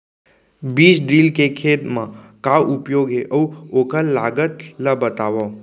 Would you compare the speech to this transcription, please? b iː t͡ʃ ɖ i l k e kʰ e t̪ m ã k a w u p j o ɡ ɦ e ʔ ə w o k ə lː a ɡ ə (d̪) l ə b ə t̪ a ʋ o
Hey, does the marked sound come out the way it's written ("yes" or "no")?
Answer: no